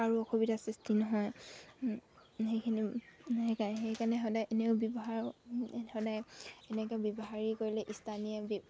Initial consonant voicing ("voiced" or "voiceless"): voiced